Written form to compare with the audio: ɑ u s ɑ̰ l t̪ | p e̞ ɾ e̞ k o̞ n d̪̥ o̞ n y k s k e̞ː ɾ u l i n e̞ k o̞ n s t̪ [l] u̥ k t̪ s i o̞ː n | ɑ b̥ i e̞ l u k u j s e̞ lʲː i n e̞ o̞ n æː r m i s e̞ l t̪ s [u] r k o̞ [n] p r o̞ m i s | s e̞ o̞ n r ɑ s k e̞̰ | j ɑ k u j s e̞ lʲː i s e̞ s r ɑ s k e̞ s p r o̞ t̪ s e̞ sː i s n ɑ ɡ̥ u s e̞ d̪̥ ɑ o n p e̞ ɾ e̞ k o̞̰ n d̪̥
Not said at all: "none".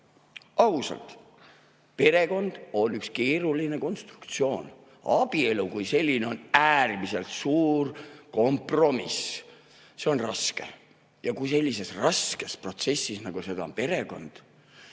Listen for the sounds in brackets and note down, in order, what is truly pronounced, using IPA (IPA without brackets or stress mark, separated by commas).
r, uː, m